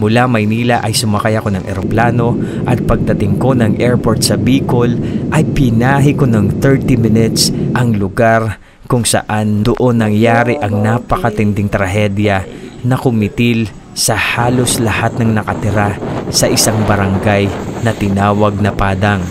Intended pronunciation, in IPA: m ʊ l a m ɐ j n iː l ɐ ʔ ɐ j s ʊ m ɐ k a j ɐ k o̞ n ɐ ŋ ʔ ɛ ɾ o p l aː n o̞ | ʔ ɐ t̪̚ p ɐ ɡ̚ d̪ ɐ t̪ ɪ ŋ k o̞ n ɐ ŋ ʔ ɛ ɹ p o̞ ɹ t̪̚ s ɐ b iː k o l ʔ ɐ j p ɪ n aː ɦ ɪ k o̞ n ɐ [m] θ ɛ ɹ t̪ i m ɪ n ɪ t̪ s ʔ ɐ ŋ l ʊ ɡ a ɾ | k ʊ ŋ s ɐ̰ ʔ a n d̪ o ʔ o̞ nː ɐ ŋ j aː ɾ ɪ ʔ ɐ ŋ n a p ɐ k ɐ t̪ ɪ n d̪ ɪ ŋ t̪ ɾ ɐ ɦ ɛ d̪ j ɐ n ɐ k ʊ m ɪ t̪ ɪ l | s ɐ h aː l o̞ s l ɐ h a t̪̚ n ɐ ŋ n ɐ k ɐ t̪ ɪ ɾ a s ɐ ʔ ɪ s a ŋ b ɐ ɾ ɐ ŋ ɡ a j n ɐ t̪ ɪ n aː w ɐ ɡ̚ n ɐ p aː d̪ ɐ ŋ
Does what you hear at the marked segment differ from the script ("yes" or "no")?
yes